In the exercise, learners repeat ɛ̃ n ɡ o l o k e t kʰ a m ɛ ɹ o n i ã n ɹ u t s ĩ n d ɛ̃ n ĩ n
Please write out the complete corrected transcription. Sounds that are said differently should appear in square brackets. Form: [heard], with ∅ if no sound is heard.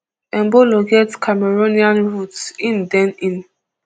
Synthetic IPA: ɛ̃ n [b] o l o [ɡ] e t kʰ a m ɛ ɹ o n i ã n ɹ u t s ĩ n d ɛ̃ n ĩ n